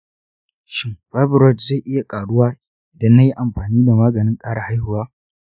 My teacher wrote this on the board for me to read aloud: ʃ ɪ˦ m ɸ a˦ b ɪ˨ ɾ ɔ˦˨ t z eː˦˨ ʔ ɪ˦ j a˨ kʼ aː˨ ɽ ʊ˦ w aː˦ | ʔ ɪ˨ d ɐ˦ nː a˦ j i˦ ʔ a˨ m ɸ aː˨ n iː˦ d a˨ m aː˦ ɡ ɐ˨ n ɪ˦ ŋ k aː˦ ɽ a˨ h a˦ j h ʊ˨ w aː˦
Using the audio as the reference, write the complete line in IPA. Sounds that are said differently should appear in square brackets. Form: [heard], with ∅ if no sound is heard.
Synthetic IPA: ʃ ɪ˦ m ɸ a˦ b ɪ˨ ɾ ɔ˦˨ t z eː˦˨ ʔ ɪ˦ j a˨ kʼ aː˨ ɽ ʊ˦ w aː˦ | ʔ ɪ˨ d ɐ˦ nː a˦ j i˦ ʔ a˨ m ɸ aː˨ n iː˦ d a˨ m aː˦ ɡ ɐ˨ n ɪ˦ ŋ [kʼ] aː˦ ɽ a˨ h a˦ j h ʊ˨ w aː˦